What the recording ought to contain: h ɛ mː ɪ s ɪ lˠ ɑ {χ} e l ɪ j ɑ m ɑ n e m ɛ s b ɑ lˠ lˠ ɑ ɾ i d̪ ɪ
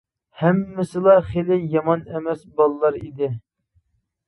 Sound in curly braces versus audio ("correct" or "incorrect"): correct